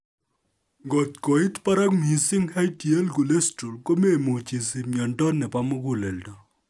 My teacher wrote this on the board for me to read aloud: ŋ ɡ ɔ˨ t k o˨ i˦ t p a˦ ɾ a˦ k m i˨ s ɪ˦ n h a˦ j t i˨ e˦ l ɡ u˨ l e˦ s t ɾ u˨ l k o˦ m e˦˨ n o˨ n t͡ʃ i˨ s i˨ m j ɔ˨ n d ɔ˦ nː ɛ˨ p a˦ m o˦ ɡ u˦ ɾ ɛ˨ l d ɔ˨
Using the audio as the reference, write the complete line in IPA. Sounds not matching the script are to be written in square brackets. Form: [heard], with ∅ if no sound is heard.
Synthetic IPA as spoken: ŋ ɡ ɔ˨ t k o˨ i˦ t p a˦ ɾ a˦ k m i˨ s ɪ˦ [ŋ] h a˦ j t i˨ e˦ l ɡ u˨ l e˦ s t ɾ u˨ l k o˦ m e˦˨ [m] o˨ [∅] t͡ʃ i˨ s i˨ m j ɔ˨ n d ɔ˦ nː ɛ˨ p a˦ m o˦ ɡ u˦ [l] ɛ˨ l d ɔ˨